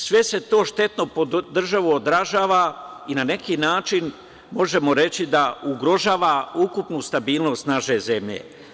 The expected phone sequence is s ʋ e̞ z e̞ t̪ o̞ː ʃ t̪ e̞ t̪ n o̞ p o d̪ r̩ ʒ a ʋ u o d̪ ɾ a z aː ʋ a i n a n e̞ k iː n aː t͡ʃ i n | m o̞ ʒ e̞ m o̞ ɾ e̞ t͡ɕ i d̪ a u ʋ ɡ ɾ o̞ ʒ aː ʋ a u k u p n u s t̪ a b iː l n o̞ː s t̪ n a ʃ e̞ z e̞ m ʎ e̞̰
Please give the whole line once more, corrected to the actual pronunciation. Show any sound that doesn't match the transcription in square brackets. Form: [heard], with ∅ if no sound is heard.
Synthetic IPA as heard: s ʋ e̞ [s] e̞ t̪ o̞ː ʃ t̪ e̞ t̪ n o̞ p o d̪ r̩ ʒ a ʋ u o d̪ ɾ a [ʒ] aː ʋ a i n a n e̞ k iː n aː t͡ʃ i n | m o̞ ʒ e̞ m o̞ ɾ e̞ t͡ɕ i d̪ a u [∅] ɡ ɾ o̞ ʒ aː ʋ a u k u p n u s t̪ a b iː l n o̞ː s t̪ n a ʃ e̞ z e̞ m ʎ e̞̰